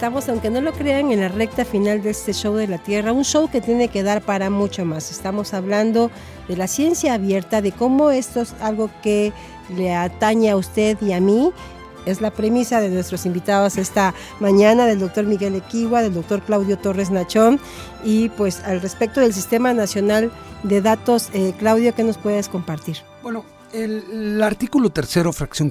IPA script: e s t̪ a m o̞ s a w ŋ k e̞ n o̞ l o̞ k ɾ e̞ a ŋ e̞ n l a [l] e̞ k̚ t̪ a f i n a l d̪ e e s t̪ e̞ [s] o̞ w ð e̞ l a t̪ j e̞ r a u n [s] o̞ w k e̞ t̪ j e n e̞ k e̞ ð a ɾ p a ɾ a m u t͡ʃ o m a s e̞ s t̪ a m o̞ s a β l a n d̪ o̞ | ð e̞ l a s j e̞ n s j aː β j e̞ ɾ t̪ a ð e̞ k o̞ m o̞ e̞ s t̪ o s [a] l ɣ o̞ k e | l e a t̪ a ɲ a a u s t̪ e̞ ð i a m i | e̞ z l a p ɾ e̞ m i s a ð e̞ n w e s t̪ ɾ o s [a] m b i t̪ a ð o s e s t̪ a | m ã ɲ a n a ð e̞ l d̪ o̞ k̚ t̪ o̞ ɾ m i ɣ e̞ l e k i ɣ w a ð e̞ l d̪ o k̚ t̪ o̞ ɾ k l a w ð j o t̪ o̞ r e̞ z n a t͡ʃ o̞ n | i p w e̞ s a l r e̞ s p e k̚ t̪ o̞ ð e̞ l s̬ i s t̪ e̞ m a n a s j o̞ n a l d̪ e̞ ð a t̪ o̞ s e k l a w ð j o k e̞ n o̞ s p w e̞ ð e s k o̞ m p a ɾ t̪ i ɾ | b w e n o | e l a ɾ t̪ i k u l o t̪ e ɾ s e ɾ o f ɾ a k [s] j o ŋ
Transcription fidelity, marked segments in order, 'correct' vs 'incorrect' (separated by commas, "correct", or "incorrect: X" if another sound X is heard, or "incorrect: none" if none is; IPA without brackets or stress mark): incorrect: r, incorrect: ʃ, incorrect: ʃ, correct, incorrect: i, correct